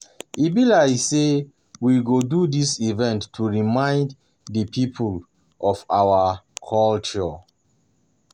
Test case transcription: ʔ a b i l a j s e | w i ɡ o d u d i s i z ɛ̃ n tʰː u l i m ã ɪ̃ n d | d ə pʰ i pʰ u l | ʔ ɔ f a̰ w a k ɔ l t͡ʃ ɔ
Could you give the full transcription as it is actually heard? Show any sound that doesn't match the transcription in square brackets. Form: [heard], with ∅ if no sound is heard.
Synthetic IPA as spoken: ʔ [i] b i l a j s e | w i ɡ o d u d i s i [v] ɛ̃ n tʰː u [ɹ] i m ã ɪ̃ n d | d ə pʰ i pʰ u l | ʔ ɔ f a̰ w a [kʰ] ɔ l t͡ʃ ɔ